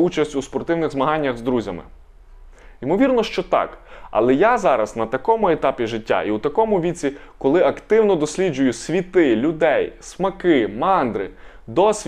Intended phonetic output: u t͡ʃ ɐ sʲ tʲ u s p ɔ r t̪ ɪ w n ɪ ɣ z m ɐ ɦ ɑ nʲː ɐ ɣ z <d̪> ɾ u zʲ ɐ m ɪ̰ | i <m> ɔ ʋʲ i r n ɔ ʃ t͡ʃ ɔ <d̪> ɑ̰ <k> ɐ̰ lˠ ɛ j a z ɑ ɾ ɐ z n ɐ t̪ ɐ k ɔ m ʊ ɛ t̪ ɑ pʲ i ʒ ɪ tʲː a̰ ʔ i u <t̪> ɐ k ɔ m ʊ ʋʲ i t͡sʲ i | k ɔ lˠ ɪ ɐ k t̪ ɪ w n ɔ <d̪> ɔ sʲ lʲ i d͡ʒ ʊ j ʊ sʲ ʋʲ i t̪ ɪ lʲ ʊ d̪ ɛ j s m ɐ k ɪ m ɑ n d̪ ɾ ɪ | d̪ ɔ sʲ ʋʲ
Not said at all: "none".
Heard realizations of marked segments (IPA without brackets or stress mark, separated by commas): d̪, m, t̪, k, t̪, d̪